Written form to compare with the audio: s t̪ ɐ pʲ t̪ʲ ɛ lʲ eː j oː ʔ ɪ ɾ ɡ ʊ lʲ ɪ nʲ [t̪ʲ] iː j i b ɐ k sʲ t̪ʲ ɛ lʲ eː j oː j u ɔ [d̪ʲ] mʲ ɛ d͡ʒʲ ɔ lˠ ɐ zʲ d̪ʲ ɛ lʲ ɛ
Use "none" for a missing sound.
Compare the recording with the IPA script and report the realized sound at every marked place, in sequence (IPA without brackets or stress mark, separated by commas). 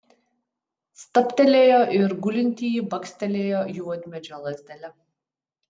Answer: t̪ʲ, d̪ʲ